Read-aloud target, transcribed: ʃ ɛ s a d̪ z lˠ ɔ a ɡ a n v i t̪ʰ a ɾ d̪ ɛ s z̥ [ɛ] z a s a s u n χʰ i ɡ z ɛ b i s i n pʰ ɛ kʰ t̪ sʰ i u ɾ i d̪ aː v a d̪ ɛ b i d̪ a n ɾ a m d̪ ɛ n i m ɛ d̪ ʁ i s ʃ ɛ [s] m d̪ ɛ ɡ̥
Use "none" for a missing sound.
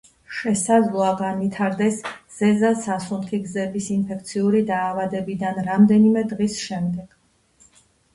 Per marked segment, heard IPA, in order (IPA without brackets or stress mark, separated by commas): ɛ, none